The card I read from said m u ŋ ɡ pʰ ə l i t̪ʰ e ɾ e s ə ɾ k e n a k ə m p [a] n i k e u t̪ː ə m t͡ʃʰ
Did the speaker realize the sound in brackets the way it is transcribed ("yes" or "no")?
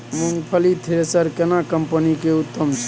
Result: no